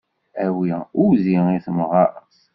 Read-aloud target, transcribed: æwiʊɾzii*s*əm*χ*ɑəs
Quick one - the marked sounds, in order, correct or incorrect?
incorrect: θ, incorrect: ʁ

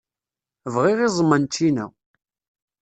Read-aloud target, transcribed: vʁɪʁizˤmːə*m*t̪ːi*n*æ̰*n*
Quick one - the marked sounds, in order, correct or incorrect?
incorrect: n, correct, incorrect: none

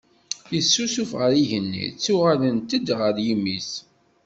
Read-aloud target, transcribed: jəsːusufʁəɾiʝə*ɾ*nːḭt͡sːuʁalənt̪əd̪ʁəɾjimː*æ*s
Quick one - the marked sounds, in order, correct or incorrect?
incorrect: none, incorrect: i

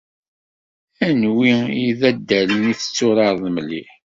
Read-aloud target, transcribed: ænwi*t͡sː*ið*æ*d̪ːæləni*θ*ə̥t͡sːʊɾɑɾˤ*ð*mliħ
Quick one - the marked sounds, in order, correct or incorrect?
incorrect: none, correct, correct, correct

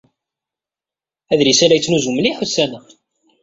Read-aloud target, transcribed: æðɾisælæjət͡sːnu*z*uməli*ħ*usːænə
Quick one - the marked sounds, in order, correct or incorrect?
correct, correct

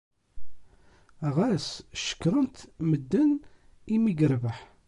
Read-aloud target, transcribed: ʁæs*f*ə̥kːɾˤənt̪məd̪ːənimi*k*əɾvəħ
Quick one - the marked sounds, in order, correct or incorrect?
incorrect: ʃ, incorrect: ɡ

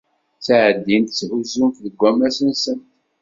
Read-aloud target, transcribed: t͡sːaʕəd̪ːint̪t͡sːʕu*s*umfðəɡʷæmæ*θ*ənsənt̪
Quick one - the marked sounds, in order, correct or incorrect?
incorrect: z, incorrect: s

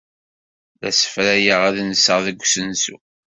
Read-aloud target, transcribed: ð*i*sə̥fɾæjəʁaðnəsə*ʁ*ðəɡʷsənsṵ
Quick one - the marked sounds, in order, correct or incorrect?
incorrect: æ, correct

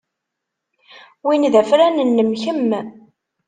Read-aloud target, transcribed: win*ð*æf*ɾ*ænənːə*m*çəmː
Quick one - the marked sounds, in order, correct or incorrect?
correct, correct, correct

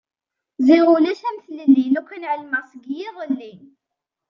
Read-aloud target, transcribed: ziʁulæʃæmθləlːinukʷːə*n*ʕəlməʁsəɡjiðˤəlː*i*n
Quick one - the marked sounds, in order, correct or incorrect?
correct, correct

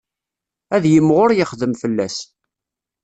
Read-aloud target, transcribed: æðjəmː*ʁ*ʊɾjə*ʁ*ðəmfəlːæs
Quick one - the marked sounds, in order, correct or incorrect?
correct, incorrect: χ

